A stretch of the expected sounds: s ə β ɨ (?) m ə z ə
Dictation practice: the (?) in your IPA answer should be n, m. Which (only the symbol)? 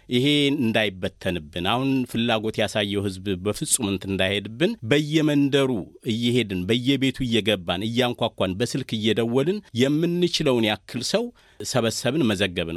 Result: n